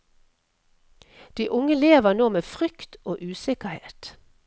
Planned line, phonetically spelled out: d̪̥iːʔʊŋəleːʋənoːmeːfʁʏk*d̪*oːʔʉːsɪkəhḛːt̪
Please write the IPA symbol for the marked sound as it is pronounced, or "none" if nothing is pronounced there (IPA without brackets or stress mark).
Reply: t̪